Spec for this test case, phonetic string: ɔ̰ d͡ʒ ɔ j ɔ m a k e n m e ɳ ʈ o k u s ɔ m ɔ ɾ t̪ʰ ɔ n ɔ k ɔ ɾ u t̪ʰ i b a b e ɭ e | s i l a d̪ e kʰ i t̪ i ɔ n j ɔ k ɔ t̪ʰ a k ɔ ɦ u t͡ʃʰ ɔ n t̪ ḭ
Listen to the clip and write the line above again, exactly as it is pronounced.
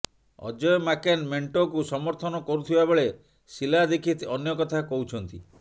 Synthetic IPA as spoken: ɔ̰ d͡ʒ ɔ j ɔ m a k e n m e ɳ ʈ o k u s ɔ m ɔ ɾ t̪ʰ ɔ n ɔ k ɔ ɾ u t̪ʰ i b a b e ɭ e | s i l a d̪ e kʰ i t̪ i ɔ n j ɔ k ɔ t̪ʰ a k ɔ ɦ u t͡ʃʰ ɔ n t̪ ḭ